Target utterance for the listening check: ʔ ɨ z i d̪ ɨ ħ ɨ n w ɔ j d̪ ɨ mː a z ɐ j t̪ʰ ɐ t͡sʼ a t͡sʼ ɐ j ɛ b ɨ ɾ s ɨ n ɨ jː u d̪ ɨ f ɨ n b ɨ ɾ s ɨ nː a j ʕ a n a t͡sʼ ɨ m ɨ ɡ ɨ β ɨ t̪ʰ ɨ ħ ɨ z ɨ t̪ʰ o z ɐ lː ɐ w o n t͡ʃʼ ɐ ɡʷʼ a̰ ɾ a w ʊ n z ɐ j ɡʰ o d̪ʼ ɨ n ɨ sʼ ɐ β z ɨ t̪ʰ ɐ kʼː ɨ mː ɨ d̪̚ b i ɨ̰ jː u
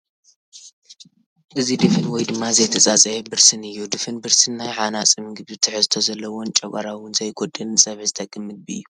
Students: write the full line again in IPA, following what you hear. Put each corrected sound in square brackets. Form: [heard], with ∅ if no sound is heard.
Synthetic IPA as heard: ʔ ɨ z i d̪ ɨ [f] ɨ n w ɔ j d̪ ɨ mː a z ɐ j t̪ʰ ɐ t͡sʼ a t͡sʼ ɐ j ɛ b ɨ ɾ s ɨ n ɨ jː u d̪ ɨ f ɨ n b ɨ ɾ s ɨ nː a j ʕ a n a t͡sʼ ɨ m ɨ ɡ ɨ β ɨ t̪ʰ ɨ ħ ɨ z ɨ t̪ʰ o z ɐ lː ɐ w o n t͡ʃʼ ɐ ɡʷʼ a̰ ɾ a w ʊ n z ɐ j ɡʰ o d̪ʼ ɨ n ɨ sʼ ɐ β z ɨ t̪ʰ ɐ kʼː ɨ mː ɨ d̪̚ b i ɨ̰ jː u